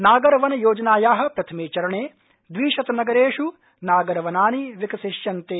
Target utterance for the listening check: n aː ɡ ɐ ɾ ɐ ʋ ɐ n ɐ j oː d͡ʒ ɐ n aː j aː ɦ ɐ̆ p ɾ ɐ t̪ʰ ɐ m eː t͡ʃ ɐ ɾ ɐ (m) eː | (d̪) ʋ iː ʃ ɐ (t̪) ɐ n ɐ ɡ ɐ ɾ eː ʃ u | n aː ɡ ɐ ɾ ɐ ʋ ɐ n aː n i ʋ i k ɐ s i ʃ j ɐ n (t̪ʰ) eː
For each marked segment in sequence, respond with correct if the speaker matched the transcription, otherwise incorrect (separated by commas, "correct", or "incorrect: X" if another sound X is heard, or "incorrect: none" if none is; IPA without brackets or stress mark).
incorrect: ɳ, correct, correct, incorrect: t̪